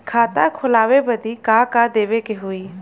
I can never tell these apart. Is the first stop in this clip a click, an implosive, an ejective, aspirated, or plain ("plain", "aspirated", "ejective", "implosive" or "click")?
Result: aspirated